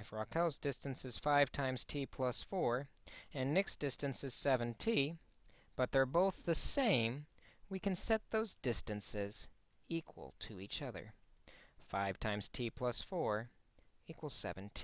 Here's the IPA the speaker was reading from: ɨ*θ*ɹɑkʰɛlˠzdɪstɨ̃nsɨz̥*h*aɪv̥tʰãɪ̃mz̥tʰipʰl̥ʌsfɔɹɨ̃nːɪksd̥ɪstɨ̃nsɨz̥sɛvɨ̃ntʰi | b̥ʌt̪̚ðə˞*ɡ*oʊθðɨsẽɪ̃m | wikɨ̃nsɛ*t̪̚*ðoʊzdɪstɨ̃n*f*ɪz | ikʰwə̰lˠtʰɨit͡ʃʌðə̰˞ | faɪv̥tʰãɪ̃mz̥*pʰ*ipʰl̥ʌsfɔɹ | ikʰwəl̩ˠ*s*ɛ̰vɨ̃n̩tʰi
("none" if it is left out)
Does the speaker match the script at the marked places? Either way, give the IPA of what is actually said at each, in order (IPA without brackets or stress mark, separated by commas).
f, f, b, t̪̚, s, tʰ, s